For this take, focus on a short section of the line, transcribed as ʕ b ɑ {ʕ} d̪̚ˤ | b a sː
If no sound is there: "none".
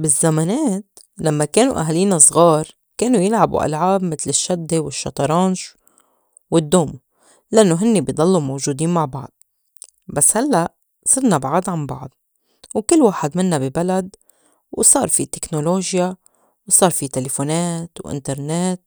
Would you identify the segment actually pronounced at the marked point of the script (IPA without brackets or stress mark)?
ʕ